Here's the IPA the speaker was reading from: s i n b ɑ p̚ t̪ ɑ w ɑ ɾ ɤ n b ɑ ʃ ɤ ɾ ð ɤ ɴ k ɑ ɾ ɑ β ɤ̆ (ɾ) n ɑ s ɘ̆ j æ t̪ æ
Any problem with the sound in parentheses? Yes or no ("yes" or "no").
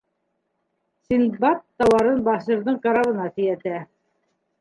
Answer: yes